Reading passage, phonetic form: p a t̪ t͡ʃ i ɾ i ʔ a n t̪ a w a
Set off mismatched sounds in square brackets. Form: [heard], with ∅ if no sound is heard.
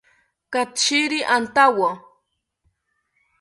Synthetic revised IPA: [k] a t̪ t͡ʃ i ɾ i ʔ a n t̪ a w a